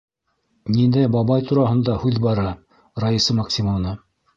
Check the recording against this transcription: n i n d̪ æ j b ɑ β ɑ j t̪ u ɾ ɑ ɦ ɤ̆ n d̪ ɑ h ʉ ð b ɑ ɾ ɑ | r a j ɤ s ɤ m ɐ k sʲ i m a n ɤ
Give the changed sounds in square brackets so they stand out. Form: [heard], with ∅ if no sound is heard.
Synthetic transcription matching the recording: n i n d̪ æ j b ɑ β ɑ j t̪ u ɾ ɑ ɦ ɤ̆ n d̪ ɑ h ʉ ð b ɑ ɾ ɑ | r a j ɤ s ɤ m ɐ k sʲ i m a n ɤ